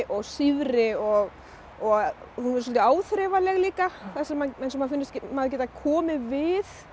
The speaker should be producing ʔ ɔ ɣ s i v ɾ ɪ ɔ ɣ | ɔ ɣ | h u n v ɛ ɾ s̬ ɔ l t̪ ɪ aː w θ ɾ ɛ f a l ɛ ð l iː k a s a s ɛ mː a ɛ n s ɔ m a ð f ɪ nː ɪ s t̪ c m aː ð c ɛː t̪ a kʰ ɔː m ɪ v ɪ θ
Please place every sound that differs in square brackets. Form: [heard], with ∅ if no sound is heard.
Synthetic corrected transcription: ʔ ɔ ɣ s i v ɾ ɪ ɔ ɣ | ɔ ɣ | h u n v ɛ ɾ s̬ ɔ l t̪ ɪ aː w θ ɾ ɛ [v] a l ɛ [ɣ] l iː k a [θ] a s ɛ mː a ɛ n s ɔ m a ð f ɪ nː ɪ s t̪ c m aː ð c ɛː t̪ a kʰ ɔː m ɪ v ɪ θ

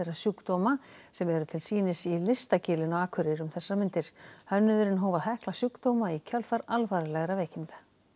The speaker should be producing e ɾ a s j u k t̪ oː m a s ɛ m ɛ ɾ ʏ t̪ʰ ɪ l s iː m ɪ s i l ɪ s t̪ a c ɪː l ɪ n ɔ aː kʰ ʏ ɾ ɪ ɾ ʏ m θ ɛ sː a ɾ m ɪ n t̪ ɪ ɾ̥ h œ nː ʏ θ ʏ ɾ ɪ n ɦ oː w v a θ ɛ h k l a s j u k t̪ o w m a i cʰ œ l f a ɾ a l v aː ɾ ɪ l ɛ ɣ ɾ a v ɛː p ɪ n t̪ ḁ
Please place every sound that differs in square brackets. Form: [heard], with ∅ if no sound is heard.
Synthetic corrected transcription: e ɾ a s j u k t̪ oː m a s ɛ m ɛ ɾ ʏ t̪ʰ ɪ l s iː [n] ɪ s i l ɪ s t̪ a c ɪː l ɪ n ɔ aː kʰ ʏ ɾ ɪ ɾ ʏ m θ ɛ sː a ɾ m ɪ n t̪ ɪ ɾ̥ h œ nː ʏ [ð] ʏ ɾ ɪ n ɦ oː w v a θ ɛ h k l a s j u k t̪ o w m a i cʰ œ l f a ɾ a l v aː ɾ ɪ l ɛ ɣ ɾ a v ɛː [c] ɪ n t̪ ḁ

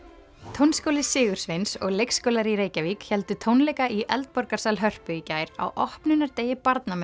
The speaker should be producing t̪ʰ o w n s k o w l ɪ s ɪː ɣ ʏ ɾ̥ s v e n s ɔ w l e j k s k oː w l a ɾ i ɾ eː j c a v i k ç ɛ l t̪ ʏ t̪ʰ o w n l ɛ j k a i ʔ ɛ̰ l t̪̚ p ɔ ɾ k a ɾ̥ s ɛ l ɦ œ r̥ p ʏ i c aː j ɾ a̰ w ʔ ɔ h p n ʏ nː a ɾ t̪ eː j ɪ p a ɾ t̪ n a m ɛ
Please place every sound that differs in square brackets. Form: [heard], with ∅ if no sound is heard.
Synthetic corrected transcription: t̪ʰ o w n s k o w l ɪ s ɪː ɣ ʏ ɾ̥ s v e n s ɔ [ɣ] l e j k s k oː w l a ɾ i ɾ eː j c a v i k ç ɛ l t̪ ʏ t̪ʰ o w n l ɛ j k a i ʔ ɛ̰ l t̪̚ p ɔ ɾ k a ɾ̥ s [a] l ɦ œ r̥ p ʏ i c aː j ɾ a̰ w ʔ ɔ h p n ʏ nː a ɾ t̪ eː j ɪ p a ɾ t̪ n a m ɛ

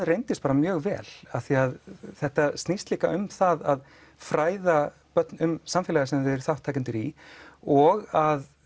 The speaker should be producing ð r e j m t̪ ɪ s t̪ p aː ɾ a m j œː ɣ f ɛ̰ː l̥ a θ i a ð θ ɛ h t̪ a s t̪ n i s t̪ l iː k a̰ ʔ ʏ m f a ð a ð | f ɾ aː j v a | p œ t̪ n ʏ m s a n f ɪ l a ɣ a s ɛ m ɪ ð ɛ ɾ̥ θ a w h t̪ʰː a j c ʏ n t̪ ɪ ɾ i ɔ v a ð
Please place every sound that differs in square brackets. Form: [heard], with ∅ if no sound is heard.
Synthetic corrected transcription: ð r e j [n] t̪ ɪ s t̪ p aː ɾ a m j œː ɣ [v] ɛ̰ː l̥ a θ i a ð θ ɛ h t̪ a s t̪ n i s t̪ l iː k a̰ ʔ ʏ m [θ] a ð a ð | f ɾ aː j [ð] a | p œ t̪ n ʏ m s a [m] f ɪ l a ɣ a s ɛ m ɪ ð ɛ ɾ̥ θ a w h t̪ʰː a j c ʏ n t̪ ɪ ɾ i ɔ [ɣ] a ð

